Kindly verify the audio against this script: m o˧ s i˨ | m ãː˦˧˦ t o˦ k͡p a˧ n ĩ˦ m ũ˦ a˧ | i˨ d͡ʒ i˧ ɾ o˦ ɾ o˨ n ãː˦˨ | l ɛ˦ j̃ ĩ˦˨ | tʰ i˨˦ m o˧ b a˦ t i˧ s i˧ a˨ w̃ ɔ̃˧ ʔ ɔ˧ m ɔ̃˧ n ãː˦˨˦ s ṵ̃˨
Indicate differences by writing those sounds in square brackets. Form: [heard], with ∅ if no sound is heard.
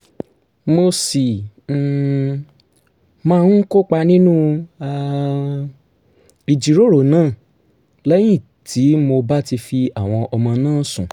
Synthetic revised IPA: m o˧ s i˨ | m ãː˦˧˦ [k] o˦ k͡p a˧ n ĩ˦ [n] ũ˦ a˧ | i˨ d͡ʒ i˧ ɾ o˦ ɾ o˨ n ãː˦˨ | l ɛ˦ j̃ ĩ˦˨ | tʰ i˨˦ m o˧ b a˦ t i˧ [f] i˧ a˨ w̃ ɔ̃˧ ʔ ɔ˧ m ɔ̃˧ n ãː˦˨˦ s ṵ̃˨